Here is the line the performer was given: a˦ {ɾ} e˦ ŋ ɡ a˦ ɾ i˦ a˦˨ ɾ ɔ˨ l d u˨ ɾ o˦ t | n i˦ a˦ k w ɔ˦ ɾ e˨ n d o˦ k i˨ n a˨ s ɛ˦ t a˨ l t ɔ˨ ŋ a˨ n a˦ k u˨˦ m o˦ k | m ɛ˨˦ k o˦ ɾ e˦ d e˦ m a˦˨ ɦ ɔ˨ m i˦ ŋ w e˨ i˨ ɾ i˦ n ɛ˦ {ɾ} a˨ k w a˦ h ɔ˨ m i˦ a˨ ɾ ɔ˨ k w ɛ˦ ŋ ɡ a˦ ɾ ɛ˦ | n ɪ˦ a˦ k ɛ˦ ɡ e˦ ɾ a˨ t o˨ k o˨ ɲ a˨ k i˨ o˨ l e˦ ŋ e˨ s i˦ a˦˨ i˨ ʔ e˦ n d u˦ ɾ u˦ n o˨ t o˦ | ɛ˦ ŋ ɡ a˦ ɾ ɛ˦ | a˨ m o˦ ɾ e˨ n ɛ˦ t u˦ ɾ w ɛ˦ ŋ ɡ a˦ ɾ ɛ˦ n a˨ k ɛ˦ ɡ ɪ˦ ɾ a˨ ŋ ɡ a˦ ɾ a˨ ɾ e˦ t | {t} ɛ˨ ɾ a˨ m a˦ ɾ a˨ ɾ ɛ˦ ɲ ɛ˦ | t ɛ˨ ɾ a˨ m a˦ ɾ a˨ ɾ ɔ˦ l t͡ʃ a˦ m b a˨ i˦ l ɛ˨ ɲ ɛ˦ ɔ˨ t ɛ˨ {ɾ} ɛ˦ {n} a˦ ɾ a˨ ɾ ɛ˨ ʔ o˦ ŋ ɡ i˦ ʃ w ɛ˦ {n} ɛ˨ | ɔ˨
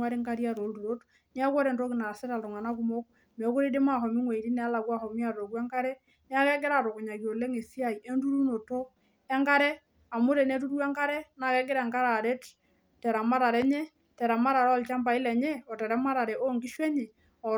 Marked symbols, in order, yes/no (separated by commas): yes, no, yes, yes, no, no